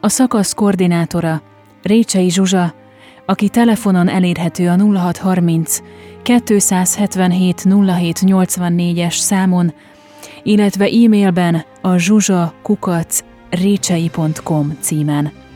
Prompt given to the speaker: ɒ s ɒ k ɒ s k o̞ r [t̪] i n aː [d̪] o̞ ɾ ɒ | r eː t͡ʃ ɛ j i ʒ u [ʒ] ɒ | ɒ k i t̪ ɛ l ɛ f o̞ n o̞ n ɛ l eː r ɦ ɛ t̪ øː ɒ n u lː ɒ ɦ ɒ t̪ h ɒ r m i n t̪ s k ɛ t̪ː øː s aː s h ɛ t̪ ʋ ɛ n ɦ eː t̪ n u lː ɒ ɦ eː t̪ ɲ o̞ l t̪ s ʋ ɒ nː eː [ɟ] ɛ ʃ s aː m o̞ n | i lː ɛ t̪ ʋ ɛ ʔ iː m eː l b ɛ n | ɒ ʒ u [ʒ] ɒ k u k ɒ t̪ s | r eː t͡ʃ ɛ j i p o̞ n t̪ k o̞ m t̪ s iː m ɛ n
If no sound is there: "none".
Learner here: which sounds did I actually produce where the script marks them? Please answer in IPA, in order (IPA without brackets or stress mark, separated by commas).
d̪, t̪, ʒ, ɟ, ʒ